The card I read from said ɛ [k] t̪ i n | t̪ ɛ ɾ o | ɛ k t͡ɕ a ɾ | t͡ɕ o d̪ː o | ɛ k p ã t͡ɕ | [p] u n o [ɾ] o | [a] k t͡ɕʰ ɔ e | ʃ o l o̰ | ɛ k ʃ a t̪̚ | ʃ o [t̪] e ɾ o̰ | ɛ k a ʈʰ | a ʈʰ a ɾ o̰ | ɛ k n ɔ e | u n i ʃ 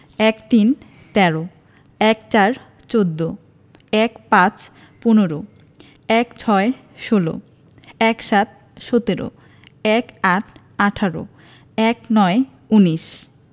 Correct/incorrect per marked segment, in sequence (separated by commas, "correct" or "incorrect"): correct, correct, correct, incorrect, correct